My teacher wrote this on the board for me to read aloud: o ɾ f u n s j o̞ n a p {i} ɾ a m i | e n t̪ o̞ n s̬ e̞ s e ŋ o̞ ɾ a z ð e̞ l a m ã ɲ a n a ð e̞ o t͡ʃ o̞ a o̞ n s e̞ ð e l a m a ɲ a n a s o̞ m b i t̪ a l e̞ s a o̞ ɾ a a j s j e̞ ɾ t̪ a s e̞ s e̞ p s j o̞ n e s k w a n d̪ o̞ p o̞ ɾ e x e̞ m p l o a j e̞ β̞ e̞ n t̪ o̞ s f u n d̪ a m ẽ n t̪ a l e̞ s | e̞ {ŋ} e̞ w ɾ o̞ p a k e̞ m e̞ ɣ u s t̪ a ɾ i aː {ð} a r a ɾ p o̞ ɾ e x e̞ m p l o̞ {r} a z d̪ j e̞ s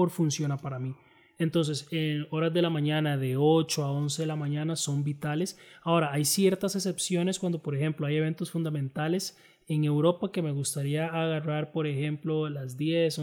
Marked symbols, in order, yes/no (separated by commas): no, yes, no, no